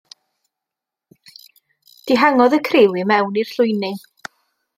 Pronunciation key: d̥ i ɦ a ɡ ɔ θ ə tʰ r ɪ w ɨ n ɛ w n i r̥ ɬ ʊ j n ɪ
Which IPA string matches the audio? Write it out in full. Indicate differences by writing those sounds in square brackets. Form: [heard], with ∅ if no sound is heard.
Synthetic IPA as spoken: d̥ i ɦ a [ŋ] ɔ [ð] ə [kʰ] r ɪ w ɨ [m] ɛ w n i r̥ ɬ ʊ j n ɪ